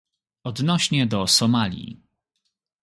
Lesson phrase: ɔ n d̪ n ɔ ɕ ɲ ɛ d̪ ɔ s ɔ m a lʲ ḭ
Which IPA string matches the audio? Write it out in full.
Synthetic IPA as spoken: ɔ d̪ n ɔ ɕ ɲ ɛ d̪ ɔ s ɔ m a lʲ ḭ